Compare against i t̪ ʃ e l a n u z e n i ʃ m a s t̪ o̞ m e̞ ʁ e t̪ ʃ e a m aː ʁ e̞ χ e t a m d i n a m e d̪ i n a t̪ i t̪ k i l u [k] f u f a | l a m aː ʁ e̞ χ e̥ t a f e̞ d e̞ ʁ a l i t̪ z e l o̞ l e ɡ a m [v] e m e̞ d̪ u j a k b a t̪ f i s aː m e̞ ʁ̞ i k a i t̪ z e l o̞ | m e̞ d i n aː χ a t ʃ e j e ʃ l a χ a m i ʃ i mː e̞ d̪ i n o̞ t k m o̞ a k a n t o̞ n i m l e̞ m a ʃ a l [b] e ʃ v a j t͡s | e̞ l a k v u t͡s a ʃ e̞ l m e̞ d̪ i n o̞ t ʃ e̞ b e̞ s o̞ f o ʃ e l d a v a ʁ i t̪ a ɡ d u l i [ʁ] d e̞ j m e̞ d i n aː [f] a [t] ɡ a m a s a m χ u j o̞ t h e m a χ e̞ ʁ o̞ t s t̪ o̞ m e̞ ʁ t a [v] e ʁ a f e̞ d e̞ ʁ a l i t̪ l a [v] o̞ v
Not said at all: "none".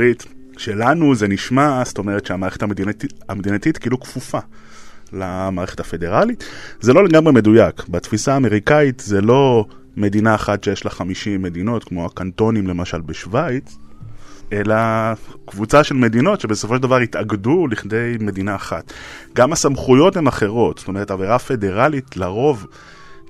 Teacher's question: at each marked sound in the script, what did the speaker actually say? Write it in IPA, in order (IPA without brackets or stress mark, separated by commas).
k, ʁ, b, χ, χ, t, v, ʁ